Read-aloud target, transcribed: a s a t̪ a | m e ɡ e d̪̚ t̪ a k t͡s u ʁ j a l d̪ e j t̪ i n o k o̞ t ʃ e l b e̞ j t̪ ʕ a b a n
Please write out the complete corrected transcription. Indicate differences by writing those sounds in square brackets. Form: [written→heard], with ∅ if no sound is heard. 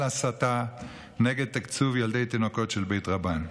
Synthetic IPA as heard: a s a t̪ a | [m→n] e ɡ e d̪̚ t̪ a k t͡s u [ʁ→v] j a l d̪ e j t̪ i n o k o̞ t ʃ e l b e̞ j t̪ [ʕ→ʁ] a b a n